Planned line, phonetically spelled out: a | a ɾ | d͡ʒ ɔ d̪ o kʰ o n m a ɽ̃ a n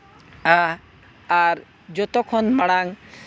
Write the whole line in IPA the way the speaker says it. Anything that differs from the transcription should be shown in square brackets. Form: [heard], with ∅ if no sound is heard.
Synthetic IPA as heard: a | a ɾ | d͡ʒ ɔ [t̪] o kʰ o n m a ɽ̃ a [ŋ]